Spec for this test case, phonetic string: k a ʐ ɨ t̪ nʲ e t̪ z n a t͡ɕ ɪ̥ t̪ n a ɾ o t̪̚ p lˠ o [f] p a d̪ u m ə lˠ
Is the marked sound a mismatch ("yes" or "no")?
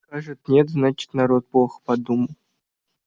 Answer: yes